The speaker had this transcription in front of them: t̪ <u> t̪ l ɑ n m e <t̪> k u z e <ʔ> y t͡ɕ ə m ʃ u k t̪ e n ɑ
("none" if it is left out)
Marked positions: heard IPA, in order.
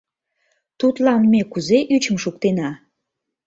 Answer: u, none, ʔ

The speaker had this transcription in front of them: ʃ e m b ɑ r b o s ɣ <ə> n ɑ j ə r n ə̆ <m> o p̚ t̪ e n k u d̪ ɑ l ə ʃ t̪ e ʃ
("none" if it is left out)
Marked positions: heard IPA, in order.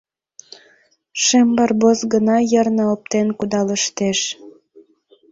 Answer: ə, none

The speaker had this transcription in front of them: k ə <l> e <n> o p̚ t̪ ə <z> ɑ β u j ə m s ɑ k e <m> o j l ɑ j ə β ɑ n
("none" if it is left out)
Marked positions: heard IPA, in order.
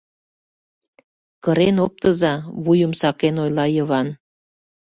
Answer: ɾ, n, z, n

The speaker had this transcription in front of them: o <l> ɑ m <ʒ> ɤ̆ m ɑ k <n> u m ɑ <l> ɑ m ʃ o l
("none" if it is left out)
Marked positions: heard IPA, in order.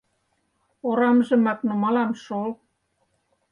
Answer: ɾ, ʒ, n, l

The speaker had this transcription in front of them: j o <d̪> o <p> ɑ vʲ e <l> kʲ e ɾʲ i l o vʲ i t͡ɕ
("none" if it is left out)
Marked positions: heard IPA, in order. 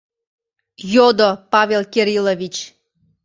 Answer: d̪, p, l

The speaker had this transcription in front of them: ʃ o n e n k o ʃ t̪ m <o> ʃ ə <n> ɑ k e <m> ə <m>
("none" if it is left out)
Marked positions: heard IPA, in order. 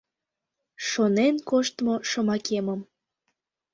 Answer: o, m, m, m

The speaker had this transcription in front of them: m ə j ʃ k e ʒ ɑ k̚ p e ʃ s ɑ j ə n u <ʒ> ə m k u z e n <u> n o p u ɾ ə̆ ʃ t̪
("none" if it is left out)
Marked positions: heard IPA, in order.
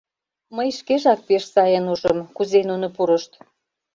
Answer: ʒ, u

